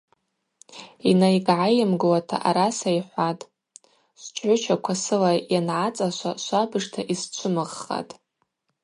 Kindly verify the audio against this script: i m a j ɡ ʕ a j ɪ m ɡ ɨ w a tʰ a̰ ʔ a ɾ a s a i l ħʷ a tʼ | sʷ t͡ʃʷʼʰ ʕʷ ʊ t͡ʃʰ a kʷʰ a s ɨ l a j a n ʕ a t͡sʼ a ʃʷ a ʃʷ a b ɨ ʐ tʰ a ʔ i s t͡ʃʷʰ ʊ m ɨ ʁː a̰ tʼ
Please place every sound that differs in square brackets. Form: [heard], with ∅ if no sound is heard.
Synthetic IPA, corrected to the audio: i [n] a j ɡ ʕ a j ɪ m ɡ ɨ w a tʰ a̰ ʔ a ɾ a s a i [∅] ħʷ a tʼ | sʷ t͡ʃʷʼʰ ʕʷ ʊ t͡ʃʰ a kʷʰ a s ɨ l a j a n ʕ a t͡sʼ a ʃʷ a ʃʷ a b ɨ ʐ tʰ a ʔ i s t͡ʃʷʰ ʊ m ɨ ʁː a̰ tʼ